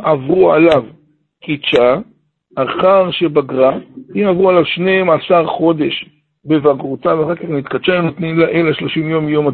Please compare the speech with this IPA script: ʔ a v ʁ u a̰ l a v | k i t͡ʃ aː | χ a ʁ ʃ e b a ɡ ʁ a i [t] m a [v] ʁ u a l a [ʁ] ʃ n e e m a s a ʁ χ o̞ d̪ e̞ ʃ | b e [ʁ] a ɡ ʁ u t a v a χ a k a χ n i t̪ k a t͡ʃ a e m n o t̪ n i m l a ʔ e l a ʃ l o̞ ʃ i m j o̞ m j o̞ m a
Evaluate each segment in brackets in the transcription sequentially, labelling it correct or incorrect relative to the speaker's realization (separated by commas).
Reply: incorrect, correct, incorrect, incorrect